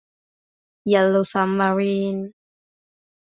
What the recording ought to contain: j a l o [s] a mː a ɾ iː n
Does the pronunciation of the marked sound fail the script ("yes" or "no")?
no